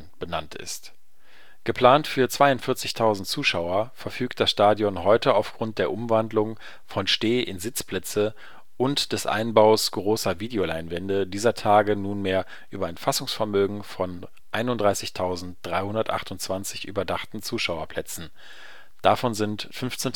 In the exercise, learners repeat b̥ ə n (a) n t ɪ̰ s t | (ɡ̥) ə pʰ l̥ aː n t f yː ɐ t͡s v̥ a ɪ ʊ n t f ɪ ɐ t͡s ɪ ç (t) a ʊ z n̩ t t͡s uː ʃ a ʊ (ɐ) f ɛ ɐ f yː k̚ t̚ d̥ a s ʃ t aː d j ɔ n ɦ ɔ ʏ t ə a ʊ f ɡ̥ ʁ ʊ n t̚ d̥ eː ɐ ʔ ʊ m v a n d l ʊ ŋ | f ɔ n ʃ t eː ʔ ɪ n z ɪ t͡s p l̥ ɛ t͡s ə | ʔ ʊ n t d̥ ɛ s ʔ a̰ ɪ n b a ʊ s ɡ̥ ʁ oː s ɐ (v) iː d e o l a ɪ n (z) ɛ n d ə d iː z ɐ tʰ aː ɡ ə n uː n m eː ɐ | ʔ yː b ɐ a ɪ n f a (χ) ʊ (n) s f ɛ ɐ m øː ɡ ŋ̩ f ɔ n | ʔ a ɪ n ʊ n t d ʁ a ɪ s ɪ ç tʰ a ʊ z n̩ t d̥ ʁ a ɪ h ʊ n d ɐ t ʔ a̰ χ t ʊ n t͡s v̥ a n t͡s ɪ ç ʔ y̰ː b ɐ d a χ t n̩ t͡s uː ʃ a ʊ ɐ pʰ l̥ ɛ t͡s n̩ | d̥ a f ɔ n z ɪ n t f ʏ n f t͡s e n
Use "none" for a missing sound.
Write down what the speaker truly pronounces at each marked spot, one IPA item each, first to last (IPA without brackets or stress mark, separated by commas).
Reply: a, ɡ̥, tʰ, ɐ, v, v, s, ŋ